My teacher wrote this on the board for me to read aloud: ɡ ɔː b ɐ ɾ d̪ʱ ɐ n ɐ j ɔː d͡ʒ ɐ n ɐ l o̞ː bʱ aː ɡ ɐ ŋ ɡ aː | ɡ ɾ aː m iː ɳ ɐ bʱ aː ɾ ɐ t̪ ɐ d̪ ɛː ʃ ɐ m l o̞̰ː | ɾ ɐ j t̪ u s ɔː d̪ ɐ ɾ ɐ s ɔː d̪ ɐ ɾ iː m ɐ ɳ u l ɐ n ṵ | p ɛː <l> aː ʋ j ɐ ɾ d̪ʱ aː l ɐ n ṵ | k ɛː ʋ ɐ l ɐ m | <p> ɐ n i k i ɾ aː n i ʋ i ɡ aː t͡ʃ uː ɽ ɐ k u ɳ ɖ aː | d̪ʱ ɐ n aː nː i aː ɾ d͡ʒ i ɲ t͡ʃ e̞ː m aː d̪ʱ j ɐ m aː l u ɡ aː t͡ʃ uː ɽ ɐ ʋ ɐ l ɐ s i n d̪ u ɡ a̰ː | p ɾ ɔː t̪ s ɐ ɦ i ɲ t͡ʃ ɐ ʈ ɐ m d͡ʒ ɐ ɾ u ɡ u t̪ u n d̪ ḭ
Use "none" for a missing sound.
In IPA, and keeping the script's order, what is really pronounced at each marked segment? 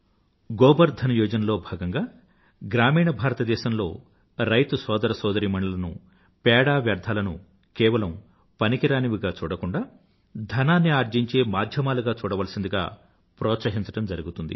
ɽ, p

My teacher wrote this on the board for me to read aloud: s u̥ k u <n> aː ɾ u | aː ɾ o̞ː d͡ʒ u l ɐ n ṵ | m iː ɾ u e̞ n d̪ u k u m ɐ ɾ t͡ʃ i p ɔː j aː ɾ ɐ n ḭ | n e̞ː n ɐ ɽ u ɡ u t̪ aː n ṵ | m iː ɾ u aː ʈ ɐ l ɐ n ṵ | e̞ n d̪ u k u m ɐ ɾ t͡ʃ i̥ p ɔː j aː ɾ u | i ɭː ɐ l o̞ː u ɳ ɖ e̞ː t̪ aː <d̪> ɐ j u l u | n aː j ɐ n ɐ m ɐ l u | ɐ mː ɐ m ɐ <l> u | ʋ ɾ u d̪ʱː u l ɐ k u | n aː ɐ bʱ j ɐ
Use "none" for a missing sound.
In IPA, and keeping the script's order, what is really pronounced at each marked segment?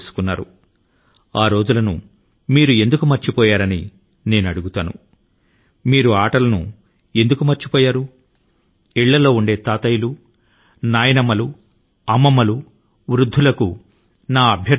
nː, t̪, l

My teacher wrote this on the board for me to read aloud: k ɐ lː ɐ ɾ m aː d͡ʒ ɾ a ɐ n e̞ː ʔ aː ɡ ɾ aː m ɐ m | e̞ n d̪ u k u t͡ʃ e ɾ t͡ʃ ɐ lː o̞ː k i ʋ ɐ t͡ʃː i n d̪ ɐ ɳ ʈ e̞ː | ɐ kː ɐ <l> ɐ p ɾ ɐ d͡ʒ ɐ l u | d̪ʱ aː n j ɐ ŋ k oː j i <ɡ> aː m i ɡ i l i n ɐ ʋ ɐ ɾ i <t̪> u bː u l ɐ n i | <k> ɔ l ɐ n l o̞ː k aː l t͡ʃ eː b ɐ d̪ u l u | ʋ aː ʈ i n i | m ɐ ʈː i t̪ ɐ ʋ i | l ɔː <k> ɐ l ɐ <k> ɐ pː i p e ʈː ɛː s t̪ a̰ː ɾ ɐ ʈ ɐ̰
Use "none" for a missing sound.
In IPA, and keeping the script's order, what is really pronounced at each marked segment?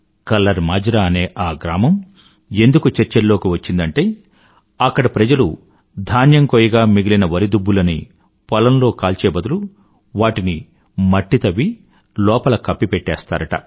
ɽ, ɡ, d̪, p, p, k

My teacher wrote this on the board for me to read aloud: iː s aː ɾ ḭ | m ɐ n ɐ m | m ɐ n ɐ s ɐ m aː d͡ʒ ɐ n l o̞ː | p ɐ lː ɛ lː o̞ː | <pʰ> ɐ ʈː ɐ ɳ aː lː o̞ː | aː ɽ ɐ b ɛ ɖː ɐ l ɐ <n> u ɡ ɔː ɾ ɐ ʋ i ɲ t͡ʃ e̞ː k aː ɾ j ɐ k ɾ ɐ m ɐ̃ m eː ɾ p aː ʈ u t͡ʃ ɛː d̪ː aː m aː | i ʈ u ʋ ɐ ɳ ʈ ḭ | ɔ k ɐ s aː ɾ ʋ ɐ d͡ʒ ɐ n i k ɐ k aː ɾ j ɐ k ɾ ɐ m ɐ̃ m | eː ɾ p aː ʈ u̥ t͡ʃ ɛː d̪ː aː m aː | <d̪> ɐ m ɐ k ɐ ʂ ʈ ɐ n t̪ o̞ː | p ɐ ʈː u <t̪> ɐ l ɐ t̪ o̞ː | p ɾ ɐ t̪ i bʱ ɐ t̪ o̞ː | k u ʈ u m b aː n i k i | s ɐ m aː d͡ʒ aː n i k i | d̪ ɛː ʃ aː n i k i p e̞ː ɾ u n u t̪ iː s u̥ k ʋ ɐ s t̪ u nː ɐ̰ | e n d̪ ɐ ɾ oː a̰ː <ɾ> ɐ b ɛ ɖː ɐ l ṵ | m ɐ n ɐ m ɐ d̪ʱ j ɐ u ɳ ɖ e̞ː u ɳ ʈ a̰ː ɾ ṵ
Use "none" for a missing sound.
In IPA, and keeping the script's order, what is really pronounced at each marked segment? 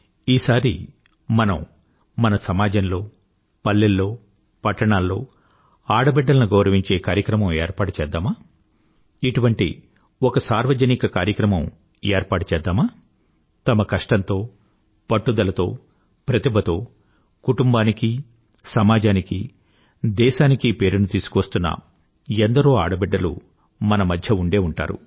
p, n, t̪, d̪, ɽ

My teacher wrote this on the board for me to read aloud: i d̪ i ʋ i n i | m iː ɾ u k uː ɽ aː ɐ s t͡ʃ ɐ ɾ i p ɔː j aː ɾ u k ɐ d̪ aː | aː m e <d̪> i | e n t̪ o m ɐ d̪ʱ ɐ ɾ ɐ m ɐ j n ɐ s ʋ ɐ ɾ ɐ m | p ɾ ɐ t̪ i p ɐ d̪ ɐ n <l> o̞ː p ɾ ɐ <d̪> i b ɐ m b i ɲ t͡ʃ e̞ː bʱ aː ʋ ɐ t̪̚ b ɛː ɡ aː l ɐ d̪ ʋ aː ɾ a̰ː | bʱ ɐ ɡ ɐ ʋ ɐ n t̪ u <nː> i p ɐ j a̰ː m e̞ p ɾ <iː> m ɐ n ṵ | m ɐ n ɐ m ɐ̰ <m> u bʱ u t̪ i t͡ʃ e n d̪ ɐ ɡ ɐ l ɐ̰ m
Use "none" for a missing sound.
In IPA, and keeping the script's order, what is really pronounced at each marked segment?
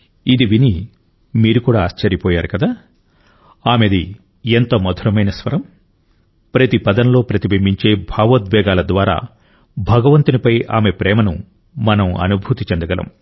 d̪, l, t̪, n, ɛː, n

